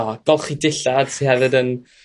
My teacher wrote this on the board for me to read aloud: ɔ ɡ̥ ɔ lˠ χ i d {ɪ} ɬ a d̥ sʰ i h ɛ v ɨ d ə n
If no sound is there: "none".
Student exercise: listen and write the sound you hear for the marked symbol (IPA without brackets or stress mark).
ɪ